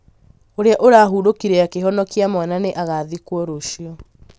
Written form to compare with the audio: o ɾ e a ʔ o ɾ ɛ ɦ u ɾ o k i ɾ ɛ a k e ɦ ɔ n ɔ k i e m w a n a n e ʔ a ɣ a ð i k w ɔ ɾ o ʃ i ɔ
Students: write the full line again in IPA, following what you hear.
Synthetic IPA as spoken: o ɾ e a ʔ o ɾ a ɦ u ɾ o k i ɾ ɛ a k e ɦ ɔ n ɔ k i a m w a n a n e ʔ a ɣ a ð i k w ɔ ɾ o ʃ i ɔ